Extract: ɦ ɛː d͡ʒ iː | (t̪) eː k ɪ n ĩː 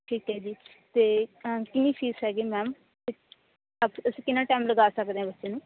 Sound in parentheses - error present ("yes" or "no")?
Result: no